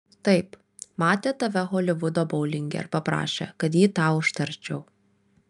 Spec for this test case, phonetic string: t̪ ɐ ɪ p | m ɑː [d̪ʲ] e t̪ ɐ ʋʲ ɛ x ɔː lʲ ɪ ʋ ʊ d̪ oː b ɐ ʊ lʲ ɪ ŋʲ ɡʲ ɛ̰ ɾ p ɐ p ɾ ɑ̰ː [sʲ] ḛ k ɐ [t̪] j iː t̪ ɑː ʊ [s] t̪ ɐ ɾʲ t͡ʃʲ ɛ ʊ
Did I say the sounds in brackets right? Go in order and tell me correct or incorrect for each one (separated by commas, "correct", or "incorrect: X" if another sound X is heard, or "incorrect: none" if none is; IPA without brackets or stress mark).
incorrect: t̪ʲ, incorrect: ʃʲ, correct, incorrect: ʃ